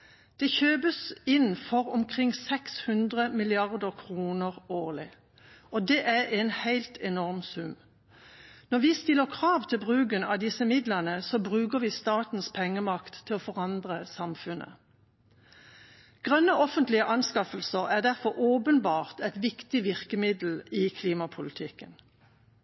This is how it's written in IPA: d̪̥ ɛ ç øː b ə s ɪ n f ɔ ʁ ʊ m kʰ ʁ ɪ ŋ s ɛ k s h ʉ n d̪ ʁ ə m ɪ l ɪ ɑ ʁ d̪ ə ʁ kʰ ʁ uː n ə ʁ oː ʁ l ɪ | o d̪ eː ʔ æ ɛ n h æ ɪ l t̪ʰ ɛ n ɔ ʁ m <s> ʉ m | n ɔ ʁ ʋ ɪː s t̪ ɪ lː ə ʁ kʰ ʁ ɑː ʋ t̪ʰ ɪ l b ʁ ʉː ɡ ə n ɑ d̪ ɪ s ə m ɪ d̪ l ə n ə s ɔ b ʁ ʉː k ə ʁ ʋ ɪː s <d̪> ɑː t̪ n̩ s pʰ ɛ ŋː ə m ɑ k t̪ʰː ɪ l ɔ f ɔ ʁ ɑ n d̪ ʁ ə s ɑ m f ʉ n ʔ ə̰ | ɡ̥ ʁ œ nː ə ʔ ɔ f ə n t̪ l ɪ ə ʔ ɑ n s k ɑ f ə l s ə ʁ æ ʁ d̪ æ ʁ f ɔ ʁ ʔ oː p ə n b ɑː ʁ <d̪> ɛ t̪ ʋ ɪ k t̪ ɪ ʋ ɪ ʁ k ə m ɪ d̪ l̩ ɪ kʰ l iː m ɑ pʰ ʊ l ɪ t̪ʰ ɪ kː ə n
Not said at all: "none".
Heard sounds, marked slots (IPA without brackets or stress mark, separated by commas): s, t̪, t̪